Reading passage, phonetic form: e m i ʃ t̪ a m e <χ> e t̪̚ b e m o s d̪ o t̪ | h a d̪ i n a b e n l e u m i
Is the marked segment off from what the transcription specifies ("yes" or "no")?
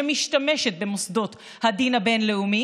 yes